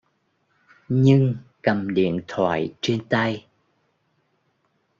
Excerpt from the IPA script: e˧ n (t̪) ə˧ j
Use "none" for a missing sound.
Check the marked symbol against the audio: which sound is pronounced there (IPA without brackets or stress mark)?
t̪